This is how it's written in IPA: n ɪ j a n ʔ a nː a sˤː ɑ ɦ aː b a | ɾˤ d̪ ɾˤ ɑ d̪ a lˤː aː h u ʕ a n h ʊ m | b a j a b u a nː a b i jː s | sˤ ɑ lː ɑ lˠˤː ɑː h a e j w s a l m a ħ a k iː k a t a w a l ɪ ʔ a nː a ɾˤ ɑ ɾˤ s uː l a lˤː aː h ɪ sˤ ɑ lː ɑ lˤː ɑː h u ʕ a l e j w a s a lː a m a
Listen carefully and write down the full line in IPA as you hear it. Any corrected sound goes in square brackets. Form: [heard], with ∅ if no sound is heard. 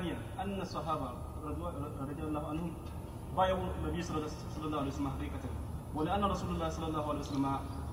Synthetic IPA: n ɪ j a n ʔ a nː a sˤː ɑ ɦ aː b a | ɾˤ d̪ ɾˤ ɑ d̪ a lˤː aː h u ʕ a n h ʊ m | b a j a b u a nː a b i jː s | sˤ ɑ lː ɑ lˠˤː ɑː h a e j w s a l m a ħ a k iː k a t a w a l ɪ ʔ a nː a ɾˤ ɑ [∅] s uː l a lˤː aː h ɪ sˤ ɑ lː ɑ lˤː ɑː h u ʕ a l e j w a s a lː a m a